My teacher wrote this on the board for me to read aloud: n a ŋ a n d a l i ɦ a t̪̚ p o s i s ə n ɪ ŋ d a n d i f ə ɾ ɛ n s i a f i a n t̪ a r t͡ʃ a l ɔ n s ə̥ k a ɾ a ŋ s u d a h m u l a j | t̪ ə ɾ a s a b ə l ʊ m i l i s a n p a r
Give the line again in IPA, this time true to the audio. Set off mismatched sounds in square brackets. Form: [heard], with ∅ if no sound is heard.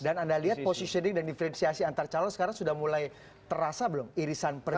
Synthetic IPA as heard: [d] a [n] a n d a l i ɦ a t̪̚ p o s i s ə n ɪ ŋ d a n d i f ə ɾ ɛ n s i a [s] i a n t̪ a r t͡ʃ a l ɔ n s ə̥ k a ɾ a ŋ s u d a h m u l a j | t̪ ə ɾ a s a b ə l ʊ m i [ɾ] i s a n p [ə] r

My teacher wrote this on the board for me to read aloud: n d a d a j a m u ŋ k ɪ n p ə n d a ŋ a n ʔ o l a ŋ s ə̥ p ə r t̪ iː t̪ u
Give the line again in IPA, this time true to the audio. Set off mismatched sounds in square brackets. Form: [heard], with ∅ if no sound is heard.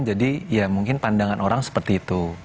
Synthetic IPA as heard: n [d͡ʒ] a d [i] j a m u ŋ k ɪ n p [a] n d a ŋ a n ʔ o [ɾ] a ŋ s ə̥ p ə r t̪ iː t̪ u

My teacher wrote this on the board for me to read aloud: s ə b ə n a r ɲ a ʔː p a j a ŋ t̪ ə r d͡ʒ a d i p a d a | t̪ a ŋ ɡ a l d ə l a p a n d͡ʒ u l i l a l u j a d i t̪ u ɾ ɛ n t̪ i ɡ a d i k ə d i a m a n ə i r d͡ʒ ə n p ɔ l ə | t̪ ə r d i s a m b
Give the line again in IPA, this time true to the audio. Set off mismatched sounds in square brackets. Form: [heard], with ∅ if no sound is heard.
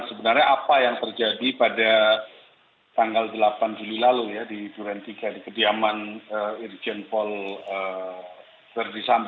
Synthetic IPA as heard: s ə b ə n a r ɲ a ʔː p a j a ŋ t̪ ə r d͡ʒ a d i p a d a | t̪ a ŋ ɡ a l d ə l a p a n d͡ʒ u l i l a l u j a d i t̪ u ɾ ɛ n t̪ i ɡ a d i k ə d i a m a n ə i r d͡ʒ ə n p ɔ l ə | t̪ ə r d i s a m b

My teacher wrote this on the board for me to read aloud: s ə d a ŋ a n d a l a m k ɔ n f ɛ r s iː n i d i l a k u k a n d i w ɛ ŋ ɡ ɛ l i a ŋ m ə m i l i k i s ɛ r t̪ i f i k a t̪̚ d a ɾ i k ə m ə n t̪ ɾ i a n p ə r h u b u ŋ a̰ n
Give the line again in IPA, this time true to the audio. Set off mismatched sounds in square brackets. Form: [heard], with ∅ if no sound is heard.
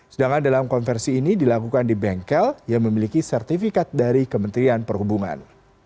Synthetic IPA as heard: s ə d a ŋ a n d a l a m k ɔ n f ɛ r s iː n i d i l a k u k a n d i [b] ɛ ŋ [k] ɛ l [j] a ŋ m ə m i l i k i s ɛ r t̪ i f i k a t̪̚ d a ɾ i k ə m ə n t̪ ɾ i a n p ə r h u b u ŋ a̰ n

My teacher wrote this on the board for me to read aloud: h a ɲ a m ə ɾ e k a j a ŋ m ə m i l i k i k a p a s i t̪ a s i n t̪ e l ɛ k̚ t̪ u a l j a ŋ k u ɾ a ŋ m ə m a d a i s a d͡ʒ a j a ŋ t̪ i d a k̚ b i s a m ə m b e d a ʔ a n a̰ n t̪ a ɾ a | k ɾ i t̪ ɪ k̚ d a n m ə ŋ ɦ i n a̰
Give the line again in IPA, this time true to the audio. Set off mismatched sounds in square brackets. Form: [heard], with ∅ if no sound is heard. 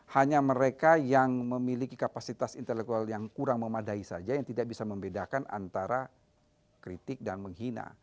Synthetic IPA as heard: h a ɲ a m ə ɾ e k a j a ŋ m ə m i l i k i k a p a s i t̪ a s i n t̪ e l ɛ k̚ t̪ u a l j a ŋ k u ɾ a ŋ m ə m a d a i s a d͡ʒ a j a ŋ t̪ i d a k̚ b i s a m ə m b e d a [k] a n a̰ n t̪ a ɾ a | k ɾ i t̪ ɪ k̚ d a n m ə ŋ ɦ i n a̰

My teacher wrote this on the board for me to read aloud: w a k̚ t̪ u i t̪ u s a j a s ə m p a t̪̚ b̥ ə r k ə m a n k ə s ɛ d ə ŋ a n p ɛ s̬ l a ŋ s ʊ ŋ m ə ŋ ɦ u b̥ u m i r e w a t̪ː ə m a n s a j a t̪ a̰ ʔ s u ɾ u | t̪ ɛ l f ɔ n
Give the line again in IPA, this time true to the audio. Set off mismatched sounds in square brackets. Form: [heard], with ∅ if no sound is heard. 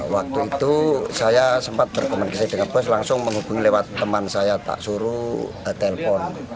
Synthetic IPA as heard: w a k̚ t̪ u i t̪ u s a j a s ə m p a t̪̚ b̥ ə r k ə m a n k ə s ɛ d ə ŋ a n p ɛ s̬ l a ŋ s ʊ ŋ m ə ŋ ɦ u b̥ u [ŋ] i [l] e w a t̪ː ə m a n s a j a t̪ a̰ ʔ s u ɾ u | t̪ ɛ l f ɔ n

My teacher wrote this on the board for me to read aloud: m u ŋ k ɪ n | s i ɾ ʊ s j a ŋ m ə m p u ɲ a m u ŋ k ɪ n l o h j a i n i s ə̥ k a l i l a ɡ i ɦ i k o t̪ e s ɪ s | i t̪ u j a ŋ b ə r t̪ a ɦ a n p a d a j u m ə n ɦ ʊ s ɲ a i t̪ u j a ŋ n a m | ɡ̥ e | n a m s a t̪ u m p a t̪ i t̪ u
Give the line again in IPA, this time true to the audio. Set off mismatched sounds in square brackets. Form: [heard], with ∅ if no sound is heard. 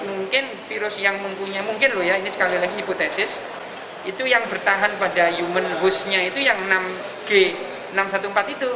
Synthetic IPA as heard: m u ŋ k ɪ n | [f] i ɾ ʊ s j a ŋ m ə m p u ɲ a m u ŋ k ɪ n l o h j a i n i s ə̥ k a l i l a ɡ i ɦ i [p] o t̪ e s ɪ s | i t̪ u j a ŋ b ə r t̪ a ɦ a n p a d a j u m ə n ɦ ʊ s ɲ a i t̪ u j a ŋ n a m | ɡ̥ e | n a m s a t̪ u m p a t̪ i t̪ u

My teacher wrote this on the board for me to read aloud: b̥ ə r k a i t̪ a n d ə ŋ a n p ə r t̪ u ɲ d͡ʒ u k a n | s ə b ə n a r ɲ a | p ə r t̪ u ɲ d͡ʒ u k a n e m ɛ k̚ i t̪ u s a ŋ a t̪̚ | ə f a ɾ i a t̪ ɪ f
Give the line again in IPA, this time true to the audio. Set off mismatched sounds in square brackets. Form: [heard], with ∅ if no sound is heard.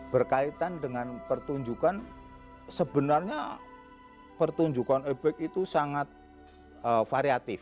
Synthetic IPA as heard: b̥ ə r k a i t̪ a n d ə ŋ a n p ə r t̪ u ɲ d͡ʒ u k a n | s ə b ə n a r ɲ a | p ə r t̪ u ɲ d͡ʒ u k a n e [b] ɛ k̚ i t̪ u s a ŋ a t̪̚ | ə f a ɾ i a t̪ ɪ f

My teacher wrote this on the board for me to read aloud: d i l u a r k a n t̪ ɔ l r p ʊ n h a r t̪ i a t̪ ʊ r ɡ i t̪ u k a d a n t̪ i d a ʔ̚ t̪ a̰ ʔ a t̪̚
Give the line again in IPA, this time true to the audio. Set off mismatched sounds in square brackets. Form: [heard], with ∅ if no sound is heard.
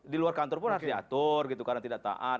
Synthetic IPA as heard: d i l u a r k a n t̪ ɔ [∅] r p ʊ n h a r t̪ i a t̪ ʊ r ɡ i t̪ u k a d a [ŋ] t̪ i d a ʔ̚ t̪ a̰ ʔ a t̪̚

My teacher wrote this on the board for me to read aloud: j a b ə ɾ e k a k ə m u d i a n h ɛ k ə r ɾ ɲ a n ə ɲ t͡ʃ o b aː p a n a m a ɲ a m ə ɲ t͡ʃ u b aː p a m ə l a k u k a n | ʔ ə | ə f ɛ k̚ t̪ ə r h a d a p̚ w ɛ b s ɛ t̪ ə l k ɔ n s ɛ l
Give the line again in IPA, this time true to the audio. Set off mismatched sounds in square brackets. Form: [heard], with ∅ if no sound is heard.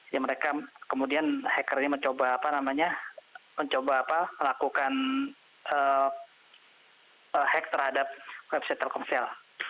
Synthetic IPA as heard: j a [m] ə ɾ e k a k ə m u d i a n h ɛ k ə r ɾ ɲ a [m] ə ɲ t͡ʃ o b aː p a n a m a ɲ a m ə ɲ t͡ʃ [o] b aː p a m ə l a k u k a n | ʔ ə | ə [h] ɛ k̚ t̪ ə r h a d a p̚ w ɛ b s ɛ t̪ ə l k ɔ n s ɛ l

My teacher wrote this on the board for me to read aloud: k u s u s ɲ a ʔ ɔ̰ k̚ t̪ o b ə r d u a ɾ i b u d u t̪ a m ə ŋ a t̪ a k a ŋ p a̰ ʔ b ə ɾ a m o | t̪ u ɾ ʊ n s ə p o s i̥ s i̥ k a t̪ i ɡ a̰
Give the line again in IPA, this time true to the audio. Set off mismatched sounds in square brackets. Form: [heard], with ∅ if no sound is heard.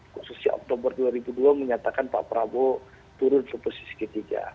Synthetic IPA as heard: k u s u s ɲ a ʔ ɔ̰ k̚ t̪ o b ə r d u a ɾ i b u d u [∅] a m ə [ɲ] a t̪ a k a [n] p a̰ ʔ [p] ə ɾ a [b] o | t̪ u ɾ ʊ n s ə p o s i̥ s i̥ k [ə] t̪ i ɡ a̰

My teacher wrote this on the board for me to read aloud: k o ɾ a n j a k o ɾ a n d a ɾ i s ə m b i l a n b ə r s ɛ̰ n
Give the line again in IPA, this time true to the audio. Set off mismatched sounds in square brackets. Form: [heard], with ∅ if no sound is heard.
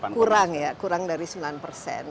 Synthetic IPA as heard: k [u] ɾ a [ŋ] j a k [u] ɾ a [ŋ] d a ɾ i s ə m b i l a n [p] ə r s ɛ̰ n

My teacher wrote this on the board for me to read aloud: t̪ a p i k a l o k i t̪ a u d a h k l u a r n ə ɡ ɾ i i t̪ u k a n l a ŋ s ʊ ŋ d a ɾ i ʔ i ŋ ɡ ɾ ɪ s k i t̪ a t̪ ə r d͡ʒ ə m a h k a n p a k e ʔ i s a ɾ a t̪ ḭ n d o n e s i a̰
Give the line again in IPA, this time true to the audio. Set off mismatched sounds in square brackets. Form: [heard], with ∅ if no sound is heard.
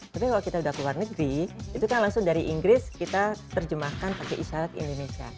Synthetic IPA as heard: t̪ a p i k a l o k i t̪ a u d a h k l u a r n ə ɡ ɾ i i t̪ u k a n l a ŋ s ʊ ŋ d a ɾ i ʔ i ŋ ɡ ɾ ɪ s k i t̪ a t̪ ə r d͡ʒ ə m a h k a n p a k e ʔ i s a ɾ a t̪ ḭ n d o n e s i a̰

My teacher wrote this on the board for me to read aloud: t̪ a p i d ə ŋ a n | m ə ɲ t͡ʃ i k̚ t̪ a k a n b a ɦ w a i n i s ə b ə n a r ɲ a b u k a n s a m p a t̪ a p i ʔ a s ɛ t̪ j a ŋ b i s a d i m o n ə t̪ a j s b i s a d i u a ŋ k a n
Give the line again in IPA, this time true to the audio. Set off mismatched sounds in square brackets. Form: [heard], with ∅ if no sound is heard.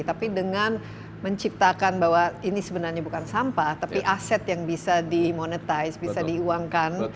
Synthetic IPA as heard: t̪ a p i d ə ŋ a n | m ə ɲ t͡ʃ i [p̚] t̪ a k a n b a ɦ w a i n i s ə b ə n a r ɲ a b u k a n s a m p a t̪ a p i ʔ a s ɛ t̪ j a ŋ b i s a d i m o n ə t̪ a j s b i s a d i u a ŋ k a n

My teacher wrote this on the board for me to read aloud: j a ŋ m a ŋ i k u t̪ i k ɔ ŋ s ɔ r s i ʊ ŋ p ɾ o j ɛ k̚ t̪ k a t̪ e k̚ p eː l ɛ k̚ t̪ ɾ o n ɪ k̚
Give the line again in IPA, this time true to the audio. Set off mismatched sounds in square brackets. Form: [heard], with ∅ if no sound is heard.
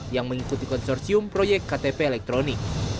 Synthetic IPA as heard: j a ŋ m [ə] ŋ i k u t̪ i k ɔ [n] s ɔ r s i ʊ [m] p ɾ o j ɛ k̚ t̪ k a t̪ e [∅] p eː l ɛ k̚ t̪ ɾ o n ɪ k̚

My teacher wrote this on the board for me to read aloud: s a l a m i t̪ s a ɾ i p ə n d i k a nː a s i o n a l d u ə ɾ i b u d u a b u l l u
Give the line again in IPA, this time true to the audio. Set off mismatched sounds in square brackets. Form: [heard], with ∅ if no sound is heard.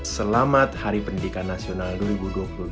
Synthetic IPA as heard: s [ə] l a m [a] t̪ [h] a ɾ i p ə n d i k a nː a s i o n a l d u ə ɾ i b u d u a [p] u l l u

